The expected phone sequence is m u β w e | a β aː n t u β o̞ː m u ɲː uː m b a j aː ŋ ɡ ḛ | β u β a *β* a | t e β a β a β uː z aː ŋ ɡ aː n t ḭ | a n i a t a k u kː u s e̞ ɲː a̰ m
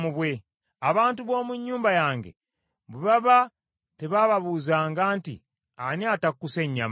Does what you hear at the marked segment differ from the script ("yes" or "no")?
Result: no